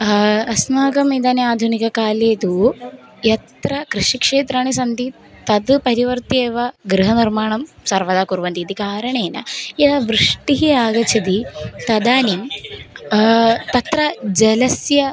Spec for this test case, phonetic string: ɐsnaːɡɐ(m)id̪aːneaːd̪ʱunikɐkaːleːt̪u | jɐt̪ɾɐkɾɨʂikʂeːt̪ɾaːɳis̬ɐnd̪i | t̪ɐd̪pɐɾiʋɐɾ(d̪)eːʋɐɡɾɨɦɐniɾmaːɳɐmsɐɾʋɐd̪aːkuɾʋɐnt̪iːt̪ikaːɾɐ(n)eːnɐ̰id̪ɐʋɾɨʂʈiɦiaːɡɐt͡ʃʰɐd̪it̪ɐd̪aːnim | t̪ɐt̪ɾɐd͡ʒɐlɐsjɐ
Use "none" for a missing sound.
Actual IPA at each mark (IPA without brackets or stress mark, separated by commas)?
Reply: m, t̪, ɳ